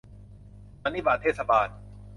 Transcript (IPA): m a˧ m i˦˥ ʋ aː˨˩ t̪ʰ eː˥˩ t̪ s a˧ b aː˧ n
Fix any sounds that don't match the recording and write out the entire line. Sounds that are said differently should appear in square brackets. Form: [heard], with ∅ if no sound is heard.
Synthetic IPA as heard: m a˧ [n] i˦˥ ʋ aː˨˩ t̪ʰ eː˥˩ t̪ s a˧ b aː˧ n